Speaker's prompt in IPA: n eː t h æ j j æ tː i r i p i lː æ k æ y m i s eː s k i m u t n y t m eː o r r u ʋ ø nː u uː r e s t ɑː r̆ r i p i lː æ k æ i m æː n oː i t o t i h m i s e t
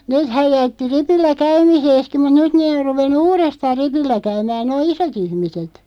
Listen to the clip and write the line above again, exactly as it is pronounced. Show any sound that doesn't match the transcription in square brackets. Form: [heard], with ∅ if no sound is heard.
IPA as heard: n eː t h æ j j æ tː i r i p i lː æ k æ y m i s eː s k i m u t n y t [n] eː o r r u ʋ [e] nː u uː r e s t ɑː r̆ r i p i lː æ k æ [y] m æː n oː i [s] o t i h m i s e t

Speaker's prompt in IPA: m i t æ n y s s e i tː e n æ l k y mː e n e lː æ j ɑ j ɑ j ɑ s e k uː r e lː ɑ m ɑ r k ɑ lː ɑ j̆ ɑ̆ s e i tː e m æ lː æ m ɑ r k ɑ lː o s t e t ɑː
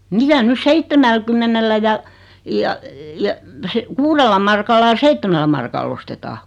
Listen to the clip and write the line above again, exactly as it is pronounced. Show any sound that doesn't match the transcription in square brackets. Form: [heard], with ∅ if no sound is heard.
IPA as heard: m i t æ n y s s e i tː e [m] æ l k y mː e n e lː æ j ɑ j ɑ j ɑ s e k uː r e lː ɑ m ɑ r k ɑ lː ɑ j̆ ɑ̆ s e i tː e m æ lː æ m ɑ r k ɑ lː o s t e t ɑː

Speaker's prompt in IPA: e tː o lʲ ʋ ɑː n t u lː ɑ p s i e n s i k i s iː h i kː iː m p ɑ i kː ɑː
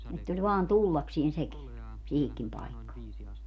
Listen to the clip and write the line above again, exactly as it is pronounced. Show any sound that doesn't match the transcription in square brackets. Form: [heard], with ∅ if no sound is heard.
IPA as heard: e tː o lʲ ʋ ɑː n t u lː ɑ [k] s i e n s [e] k i s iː h i kː [i] m p ɑ i kː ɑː

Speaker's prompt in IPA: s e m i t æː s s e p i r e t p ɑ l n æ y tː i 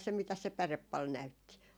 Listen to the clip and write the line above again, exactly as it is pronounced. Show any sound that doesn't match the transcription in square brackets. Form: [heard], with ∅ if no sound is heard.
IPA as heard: s e m i t [æ] s s e p [æ] r e [p] p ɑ l n æ y tː i

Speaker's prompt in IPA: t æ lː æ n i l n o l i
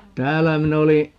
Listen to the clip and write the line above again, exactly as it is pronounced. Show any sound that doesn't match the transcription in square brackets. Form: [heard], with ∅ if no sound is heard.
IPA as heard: t [æː] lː æ [m] i [∅] n o l i

